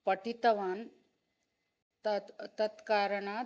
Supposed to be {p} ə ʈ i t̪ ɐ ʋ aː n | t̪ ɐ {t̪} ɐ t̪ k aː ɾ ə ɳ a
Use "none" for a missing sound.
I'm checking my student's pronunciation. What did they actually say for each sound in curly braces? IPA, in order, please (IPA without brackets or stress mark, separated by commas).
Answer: p, t̪